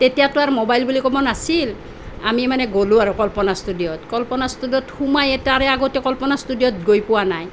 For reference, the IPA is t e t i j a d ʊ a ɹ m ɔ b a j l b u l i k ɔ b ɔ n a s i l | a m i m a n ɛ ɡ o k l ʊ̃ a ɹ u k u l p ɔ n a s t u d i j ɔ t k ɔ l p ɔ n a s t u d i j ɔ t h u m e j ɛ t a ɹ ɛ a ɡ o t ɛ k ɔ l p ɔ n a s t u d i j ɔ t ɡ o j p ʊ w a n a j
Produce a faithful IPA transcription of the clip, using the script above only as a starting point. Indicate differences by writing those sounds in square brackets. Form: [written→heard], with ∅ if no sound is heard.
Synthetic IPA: t e t i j a [d→t] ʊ a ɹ m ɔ b a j l b u l i k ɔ b ɔ n a s i l | a m i m a n ɛ ɡ o [k→∅] l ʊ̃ a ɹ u k [u→ɔ] l p ɔ n a s t u d i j ɔ t k ɔ l p ɔ n a s t u d i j ɔ t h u m [e→a] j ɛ t a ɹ ɛ a ɡ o t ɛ k ɔ l p ɔ n a s t u d i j ɔ t ɡ o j p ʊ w a n a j

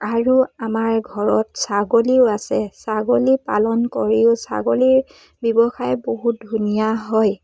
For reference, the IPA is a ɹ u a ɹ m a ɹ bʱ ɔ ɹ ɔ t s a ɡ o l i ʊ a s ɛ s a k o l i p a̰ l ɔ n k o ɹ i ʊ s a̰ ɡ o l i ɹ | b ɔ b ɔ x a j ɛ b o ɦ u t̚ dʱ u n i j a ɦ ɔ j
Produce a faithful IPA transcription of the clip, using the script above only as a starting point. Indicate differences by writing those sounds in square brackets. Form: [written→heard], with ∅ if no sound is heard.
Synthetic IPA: a ɹ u a [ɹ→∅] m a ɹ [bʱ→ɡʱ] ɔ ɹ ɔ t s a ɡ o l i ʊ a s ɛ s a [k→ɡ] o l i p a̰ l ɔ n k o ɹ i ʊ s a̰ ɡ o l i ɹ | b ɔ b ɔ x a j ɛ b o ɦ u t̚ dʱ u n i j a ɦ ɔ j

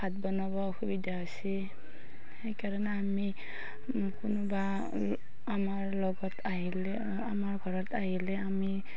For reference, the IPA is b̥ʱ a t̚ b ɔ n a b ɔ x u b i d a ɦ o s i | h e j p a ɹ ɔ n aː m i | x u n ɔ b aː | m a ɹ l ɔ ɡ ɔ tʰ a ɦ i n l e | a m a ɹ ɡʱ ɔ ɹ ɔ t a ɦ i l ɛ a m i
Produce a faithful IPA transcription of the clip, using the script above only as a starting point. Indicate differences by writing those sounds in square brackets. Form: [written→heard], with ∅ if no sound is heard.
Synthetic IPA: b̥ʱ a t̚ b ɔ n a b ɔ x u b i d a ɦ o s i | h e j [p→k] a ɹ ɔ n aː m i | [x→k] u n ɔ b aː | m a ɹ l ɔ ɡ ɔ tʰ a ɦ i [n→∅] l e | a m a ɹ ɡʱ ɔ ɹ ɔ t a ɦ i l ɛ a m i

